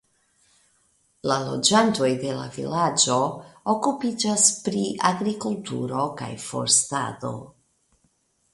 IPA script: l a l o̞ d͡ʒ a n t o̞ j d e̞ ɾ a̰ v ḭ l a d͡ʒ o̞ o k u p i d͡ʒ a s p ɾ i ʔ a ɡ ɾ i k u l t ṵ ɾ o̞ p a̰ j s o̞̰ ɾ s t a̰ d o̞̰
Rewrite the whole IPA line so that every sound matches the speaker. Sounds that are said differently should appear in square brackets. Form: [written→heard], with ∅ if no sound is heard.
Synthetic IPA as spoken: l a l o̞ d͡ʒ a n t o̞ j d e̞ [ɾ→l] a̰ v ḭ l a d͡ʒ o̞ o k u p i d͡ʒ a s p ɾ i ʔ a ɡ ɾ i k u l t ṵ ɾ o̞ [p→k] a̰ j [s→f] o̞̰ ɾ s t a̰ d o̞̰